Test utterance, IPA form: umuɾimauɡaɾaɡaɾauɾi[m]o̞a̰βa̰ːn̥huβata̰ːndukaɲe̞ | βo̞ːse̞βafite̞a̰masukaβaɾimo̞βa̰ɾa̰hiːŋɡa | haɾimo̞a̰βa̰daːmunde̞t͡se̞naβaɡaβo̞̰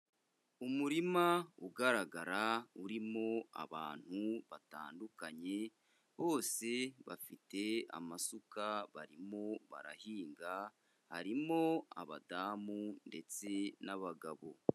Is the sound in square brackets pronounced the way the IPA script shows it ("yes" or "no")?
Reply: yes